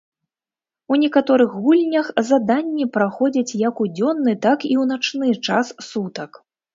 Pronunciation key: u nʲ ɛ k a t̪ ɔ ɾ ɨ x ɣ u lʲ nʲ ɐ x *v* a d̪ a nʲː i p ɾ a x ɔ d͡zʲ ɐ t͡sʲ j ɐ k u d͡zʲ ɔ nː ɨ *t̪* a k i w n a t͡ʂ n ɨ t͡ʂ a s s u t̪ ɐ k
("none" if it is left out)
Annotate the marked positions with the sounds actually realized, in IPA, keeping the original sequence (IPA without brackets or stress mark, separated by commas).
z, t̪